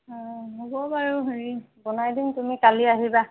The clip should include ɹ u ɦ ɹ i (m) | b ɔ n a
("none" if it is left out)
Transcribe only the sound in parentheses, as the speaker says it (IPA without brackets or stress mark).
none